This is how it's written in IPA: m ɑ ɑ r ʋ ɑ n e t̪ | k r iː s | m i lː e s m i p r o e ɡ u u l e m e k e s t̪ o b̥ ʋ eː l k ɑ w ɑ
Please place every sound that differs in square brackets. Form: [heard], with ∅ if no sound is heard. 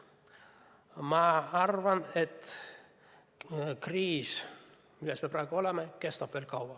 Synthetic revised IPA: m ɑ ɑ r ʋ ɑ n e t̪ | k r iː s | m i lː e s m [e] p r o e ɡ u [o] l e m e k e s t̪ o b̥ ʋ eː l k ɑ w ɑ

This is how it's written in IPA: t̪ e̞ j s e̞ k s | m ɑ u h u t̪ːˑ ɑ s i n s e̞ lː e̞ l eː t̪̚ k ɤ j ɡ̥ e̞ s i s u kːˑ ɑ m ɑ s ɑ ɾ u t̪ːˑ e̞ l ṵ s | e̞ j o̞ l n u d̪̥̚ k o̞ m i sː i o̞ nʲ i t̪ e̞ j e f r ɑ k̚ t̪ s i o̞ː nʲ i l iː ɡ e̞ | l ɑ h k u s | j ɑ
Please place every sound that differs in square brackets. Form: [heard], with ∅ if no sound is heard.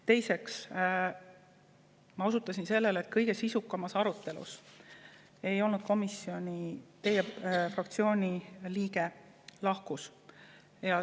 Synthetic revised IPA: t̪ e̞ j s e̞ k s | m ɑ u [s] u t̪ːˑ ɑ s i n s e̞ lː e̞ l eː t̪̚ k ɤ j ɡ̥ e̞ s i s u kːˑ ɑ m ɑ s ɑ ɾ u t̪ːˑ e̞ l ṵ s | e̞ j o̞ l n u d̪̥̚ k o̞ m i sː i o̞ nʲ i t̪ e̞ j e f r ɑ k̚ t̪ s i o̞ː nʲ i l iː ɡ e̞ | l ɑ h k u s | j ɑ

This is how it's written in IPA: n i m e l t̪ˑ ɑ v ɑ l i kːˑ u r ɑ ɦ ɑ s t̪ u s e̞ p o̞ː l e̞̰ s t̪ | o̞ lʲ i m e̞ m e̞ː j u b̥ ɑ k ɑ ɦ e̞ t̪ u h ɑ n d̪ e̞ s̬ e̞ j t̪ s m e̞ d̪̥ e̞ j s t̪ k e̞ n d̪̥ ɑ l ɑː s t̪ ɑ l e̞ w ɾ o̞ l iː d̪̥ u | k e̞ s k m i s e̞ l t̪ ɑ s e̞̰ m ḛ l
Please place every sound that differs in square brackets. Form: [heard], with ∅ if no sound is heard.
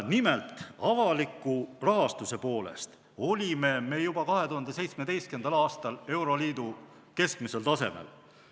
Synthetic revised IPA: n i m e l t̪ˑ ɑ v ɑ l i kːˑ u r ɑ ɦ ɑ s t̪ u s e̞ p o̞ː l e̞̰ s t̪ | o̞ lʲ i m e̞ m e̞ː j u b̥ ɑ k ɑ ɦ e̞ t̪ u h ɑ n d̪ e̞ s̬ e̞ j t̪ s m e̞ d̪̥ e̞ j s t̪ k e̞ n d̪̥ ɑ l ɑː s t̪ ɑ l e̞ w ɾ o̞ l iː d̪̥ u | k e̞ s k m i s e̞ l t̪ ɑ s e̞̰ m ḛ l

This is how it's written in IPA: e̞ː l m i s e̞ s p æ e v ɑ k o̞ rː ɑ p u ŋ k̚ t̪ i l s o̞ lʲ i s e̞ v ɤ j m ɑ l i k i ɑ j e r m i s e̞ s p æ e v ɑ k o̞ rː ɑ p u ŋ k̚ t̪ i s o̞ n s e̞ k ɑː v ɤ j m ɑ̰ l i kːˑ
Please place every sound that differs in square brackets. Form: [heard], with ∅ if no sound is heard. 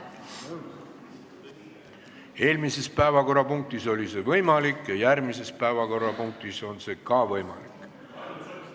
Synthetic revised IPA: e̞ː l m i s e̞ s p æ e v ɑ k o̞ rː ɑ p u ŋ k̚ t̪ i [∅] s o̞ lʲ i s e̞ v ɤ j m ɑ l i k [j] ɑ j [æ] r m i s e̞ s p æ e v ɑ k o̞ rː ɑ p u ŋ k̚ t̪ i s o̞ n s e̞ k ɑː v ɤ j m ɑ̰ l i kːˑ

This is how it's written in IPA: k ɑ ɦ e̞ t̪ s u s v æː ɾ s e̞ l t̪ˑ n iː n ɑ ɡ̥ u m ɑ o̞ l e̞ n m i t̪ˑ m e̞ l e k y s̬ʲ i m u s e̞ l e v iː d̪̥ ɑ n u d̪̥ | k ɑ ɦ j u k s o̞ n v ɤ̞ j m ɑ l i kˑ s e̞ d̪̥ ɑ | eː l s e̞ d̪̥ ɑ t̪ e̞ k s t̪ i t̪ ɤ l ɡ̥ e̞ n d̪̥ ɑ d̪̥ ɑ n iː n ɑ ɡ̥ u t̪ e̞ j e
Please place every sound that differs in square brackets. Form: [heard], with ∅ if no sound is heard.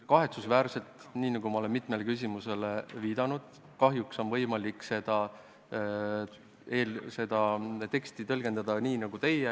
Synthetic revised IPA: k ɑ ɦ e̞ t̪ s u s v æː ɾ s e̞ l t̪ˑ n iː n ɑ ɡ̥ u m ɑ o̞ l e̞ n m i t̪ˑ m e̞ l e k y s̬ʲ i m u s e̞ l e v iː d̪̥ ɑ n u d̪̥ | k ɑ ɦ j u k s o̞ n v ɤ̞ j m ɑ l i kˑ s e̞ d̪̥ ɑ | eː l s e̞ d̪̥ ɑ t̪ e̞ k s t̪ i t̪ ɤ l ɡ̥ e̞ n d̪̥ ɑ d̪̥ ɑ n iː n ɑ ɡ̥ u t̪ e̞ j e

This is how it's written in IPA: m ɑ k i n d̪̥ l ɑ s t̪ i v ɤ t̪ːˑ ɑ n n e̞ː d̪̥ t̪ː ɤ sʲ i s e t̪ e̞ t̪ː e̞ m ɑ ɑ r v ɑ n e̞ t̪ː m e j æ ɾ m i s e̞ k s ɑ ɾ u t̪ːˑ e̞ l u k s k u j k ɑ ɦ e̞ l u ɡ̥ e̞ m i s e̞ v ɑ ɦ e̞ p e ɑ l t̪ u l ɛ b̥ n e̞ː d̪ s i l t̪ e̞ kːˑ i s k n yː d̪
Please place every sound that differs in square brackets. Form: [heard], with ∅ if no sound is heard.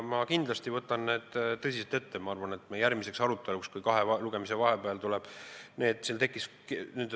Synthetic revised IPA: m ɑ k i n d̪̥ l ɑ s t̪ i v ɤ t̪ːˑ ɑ n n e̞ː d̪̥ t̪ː ɤ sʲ i s e t̪ e̞ t̪ː e̞ m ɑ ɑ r v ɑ n e̞ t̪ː m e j æ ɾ m i s e̞ k s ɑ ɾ u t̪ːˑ e̞ l u k s k u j k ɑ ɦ e̞ l u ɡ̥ e̞ m i s e̞ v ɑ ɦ e̞ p e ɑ l t̪ u l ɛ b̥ n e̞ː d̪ s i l t̪ e̞ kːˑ i s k n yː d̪

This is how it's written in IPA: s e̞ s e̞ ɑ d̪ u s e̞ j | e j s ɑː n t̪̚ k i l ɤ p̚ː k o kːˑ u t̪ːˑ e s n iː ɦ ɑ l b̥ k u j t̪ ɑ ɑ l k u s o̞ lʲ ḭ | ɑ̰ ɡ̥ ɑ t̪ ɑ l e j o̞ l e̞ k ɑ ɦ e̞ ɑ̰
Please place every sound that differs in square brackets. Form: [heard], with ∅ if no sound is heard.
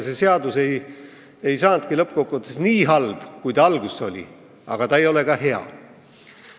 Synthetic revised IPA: s e̞ s e̞ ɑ d̪ u s e̞ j | e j s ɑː n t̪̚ k i l ɤ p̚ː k o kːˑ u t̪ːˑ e s n iː ɦ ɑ l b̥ k u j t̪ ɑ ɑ l [ɡ] u s o̞ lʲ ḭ | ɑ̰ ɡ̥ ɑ t̪ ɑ [∅] e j o̞ l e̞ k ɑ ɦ e̞ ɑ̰

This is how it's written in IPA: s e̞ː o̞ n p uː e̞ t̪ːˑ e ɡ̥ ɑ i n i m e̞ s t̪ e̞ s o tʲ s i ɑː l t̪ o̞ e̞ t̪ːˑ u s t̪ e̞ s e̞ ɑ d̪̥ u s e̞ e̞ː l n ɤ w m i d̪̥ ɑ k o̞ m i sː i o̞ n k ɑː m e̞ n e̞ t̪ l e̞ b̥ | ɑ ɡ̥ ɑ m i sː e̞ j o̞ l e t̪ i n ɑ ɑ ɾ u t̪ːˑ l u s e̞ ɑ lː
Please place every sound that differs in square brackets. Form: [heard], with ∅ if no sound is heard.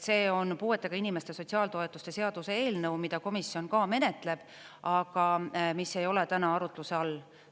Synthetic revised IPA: s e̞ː o̞ n p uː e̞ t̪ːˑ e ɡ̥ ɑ i n i m e̞ s t̪ e̞ s o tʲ s i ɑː l t̪ o̞ e̞ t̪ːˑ u s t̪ e̞ s e̞ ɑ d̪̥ u s e̞ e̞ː l n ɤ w m i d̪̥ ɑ k o̞ m i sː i o̞ n k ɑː m e̞ n e̞ t̪ l e̞ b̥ | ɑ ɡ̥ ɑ m i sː e̞ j o̞ l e t̪ [æ] n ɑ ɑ ɾ u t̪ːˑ l u s e̞ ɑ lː

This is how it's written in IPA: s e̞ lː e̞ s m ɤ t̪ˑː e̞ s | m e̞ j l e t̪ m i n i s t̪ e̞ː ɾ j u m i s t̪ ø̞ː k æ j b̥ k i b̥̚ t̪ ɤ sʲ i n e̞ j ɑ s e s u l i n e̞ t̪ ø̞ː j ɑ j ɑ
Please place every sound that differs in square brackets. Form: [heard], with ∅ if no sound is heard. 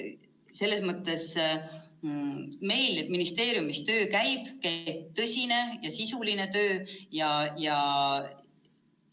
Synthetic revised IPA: s e̞ lː e̞ s m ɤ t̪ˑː e̞ s | m e̞ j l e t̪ m i n i s t̪ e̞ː ɾ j u m i s t̪ ø̞ː k æ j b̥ k [æ] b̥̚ t̪ ɤ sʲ i n e̞ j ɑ s [i] s u l i n e̞ t̪ ø̞ː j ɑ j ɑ

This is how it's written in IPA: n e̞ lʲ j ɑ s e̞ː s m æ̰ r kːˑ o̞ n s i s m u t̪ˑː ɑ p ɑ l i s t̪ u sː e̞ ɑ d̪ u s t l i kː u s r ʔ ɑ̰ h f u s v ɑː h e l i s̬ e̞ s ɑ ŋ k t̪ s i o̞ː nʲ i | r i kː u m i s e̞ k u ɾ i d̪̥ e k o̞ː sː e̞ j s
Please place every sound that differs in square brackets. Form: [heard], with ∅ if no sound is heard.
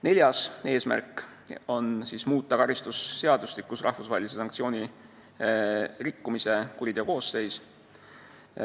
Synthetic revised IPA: n e̞ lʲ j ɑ s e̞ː s m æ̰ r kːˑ o̞ n s i s m [uː] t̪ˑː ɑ [k] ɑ [ɾ] i s t̪ u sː e̞ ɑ d̪ u s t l i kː u s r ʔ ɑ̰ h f u s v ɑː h e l i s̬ e̞ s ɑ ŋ k t̪ s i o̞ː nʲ i | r i kː u m i s e̞ k u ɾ i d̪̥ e k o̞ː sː e̞ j s

